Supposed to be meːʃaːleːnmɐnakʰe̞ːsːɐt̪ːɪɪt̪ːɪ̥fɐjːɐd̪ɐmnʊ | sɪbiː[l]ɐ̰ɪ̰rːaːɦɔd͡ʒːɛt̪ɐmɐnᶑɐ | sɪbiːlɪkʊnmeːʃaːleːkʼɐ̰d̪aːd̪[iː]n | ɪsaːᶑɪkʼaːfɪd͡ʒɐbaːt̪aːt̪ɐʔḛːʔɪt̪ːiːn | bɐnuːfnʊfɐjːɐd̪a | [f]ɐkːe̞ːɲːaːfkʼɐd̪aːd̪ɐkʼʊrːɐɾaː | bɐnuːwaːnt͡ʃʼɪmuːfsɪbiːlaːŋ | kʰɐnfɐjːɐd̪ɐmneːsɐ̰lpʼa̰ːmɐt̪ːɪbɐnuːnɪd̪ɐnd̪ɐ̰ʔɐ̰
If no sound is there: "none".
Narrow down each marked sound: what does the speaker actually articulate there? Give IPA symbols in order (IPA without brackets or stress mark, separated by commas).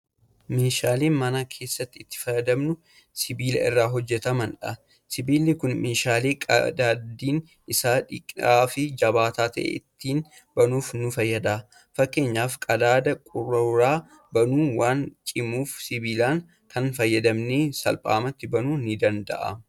l, iː, f